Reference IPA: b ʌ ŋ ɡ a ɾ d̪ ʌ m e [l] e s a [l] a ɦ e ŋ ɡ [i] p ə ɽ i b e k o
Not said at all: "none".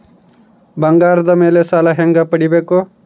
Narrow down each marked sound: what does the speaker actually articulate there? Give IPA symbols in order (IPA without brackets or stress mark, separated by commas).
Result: l, l, a